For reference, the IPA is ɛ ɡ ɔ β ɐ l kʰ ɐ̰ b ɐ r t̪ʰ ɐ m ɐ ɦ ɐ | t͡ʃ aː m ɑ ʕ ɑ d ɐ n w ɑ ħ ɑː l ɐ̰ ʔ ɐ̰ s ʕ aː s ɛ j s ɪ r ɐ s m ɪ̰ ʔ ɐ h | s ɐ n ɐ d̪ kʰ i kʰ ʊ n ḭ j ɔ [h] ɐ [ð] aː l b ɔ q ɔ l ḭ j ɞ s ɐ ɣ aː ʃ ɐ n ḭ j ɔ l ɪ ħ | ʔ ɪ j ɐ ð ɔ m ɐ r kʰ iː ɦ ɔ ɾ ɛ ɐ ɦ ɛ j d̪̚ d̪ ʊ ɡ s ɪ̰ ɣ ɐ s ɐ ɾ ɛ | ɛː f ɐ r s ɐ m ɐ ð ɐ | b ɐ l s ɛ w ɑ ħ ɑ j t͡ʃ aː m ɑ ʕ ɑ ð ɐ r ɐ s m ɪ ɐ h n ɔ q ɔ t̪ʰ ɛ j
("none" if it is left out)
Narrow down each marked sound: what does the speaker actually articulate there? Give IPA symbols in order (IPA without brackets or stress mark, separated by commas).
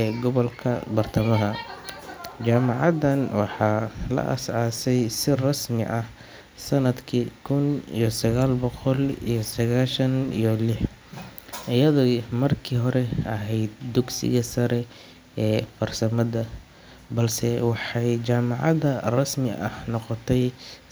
s, ɣ